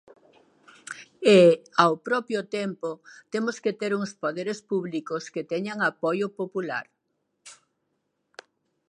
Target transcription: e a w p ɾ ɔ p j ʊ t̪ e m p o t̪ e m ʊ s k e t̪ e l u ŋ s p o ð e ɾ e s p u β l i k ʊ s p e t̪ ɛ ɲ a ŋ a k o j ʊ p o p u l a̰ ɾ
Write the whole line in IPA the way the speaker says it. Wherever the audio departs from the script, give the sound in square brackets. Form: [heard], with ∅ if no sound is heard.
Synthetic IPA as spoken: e a w p ɾ ɔ p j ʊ t̪ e m p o t̪ e m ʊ s k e t̪ e [ɾ] u ŋ s p o ð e ɾ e s p u β l i k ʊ s [k] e t̪ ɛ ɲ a ŋ a [p] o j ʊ p o p u l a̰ ɾ